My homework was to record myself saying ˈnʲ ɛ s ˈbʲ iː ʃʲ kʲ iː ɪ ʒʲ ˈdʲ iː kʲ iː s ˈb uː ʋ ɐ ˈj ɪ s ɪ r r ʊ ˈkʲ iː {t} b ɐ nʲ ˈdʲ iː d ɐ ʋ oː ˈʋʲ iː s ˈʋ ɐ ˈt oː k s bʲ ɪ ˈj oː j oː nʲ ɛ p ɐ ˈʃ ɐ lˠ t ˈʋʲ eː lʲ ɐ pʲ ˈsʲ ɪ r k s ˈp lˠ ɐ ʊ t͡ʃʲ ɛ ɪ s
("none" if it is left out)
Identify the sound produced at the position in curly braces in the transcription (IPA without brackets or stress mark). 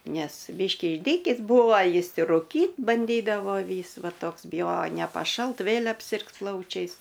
t